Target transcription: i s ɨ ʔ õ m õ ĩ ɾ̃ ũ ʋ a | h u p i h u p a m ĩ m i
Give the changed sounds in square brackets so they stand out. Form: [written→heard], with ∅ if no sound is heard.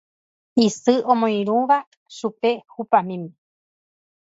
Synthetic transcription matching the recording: i s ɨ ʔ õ m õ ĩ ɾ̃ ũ ʋ a | [h→ʃ] u p [i→e] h u p a m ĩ m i